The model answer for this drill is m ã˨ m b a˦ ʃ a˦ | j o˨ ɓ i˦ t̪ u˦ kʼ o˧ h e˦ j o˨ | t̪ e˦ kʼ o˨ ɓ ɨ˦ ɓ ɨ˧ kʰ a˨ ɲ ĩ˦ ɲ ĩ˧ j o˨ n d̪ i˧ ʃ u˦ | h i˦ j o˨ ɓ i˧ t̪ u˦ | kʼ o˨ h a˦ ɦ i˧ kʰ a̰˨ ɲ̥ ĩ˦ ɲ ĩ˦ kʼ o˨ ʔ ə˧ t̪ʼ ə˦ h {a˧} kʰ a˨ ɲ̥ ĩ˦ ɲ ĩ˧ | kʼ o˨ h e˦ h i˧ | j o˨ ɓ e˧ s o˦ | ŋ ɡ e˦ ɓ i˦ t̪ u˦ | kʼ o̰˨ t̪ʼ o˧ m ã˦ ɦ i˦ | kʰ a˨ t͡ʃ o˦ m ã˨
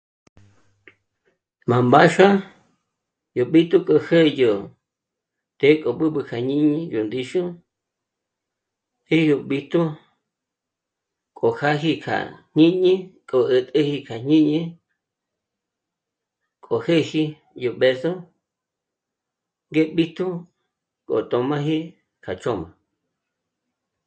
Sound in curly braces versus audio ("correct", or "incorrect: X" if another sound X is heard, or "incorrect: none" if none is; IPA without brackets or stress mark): incorrect: i˧